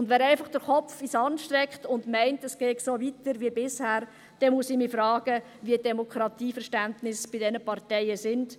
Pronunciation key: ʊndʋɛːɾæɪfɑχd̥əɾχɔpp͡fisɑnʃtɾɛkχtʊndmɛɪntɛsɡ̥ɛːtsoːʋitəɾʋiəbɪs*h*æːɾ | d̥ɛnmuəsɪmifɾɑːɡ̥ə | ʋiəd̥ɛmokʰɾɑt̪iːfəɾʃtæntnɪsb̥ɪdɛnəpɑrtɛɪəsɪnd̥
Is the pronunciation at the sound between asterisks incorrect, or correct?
correct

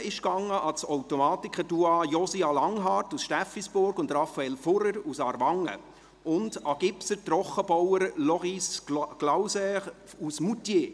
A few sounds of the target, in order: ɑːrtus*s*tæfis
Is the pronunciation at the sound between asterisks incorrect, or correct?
incorrect: ʃ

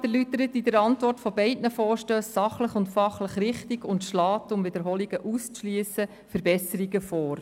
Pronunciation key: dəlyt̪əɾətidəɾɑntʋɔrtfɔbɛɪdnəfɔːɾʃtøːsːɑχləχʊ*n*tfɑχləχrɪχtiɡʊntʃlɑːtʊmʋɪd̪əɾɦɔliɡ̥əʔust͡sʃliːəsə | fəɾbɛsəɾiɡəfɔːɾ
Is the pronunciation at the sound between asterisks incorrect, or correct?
correct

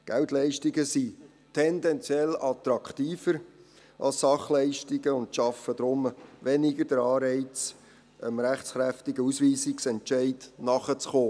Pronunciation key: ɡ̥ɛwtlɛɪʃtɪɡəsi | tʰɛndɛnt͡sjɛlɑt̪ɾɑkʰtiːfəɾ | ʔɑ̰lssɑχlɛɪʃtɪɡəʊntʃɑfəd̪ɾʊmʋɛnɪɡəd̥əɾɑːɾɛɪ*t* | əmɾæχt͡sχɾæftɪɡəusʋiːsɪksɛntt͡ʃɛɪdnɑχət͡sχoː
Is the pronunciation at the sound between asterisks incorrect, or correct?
incorrect: t͡s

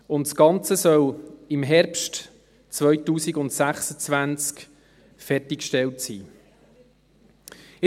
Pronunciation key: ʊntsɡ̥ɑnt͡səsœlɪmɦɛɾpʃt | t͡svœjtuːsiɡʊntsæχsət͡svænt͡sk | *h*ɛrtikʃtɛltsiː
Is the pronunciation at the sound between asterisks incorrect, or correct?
incorrect: f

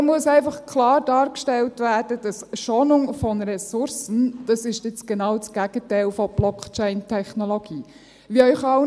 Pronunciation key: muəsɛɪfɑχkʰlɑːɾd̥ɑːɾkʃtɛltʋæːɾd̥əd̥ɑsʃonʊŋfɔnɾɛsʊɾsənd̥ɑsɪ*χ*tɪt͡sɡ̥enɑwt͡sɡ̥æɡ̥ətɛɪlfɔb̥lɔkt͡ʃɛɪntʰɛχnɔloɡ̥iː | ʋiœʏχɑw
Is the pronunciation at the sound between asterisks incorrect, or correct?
incorrect: ʃ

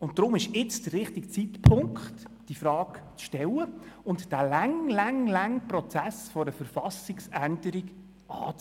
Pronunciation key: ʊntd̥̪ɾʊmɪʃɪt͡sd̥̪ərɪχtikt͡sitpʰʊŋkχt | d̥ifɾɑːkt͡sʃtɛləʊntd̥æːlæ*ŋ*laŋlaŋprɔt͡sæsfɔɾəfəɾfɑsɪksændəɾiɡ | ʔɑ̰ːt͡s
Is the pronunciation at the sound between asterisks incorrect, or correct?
correct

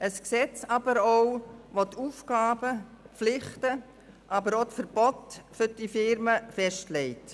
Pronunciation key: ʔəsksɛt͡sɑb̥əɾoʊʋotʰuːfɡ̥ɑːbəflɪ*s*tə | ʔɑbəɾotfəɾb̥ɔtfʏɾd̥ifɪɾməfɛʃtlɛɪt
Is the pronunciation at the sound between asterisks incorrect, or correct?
incorrect: χ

